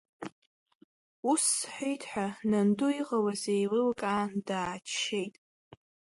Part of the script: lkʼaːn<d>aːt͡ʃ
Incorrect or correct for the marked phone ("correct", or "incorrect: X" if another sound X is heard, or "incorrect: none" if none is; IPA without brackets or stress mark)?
correct